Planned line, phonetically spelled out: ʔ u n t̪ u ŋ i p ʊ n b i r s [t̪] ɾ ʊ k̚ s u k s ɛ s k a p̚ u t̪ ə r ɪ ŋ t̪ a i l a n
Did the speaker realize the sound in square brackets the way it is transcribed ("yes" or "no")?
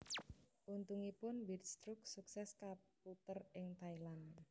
yes